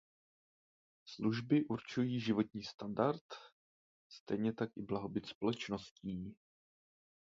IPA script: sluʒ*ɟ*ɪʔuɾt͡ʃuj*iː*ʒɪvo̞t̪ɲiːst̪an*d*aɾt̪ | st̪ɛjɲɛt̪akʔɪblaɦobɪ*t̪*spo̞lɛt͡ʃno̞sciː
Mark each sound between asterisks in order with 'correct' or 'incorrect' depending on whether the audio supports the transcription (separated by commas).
incorrect, correct, correct, correct